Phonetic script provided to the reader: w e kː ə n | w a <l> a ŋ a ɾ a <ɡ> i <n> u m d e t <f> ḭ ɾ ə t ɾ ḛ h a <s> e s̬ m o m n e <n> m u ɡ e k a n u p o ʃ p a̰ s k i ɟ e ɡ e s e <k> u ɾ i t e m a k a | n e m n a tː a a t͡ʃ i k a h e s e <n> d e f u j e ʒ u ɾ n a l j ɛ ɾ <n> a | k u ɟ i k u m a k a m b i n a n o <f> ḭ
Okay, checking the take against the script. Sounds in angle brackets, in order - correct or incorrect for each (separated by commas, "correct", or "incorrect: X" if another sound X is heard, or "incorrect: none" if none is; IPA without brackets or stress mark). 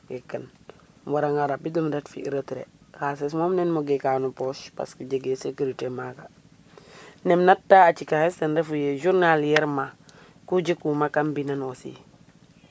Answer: incorrect: ɾ, incorrect: b, incorrect: d, correct, correct, correct, correct, correct, incorrect: m, incorrect: s